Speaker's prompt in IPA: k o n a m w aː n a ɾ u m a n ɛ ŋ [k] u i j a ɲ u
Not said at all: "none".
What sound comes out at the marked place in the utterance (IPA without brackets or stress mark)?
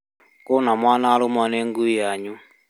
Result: ɡ